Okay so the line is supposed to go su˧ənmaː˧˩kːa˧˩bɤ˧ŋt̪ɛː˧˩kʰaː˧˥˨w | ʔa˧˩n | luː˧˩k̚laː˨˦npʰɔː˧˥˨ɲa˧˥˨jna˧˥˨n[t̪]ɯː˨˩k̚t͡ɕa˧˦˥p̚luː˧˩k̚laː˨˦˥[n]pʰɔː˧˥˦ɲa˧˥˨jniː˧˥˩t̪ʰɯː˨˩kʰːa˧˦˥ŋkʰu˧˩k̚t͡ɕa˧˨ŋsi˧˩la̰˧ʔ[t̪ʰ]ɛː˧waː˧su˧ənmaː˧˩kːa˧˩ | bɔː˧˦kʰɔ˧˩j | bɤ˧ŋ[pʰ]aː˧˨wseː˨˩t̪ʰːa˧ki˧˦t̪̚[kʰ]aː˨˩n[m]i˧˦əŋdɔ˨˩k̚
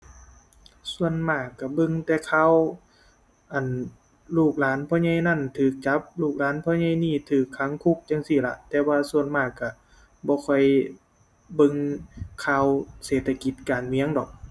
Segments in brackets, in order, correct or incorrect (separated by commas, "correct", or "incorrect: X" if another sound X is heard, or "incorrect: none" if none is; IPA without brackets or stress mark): incorrect: t̪ʰ, correct, incorrect: t̪, incorrect: kʰ, incorrect: k, correct